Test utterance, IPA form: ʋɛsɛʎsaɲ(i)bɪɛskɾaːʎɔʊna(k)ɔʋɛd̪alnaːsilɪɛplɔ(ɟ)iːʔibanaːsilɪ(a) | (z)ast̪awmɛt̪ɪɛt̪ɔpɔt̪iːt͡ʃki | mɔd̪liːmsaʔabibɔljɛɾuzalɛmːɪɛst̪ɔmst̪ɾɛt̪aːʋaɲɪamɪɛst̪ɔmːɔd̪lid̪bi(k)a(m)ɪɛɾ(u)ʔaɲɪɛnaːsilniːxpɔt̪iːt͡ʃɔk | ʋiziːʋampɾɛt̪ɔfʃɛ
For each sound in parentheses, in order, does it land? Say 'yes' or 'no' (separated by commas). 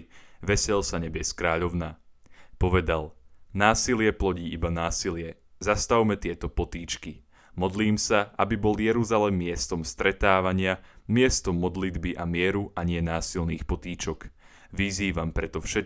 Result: no, no, yes, no, yes, no, yes, yes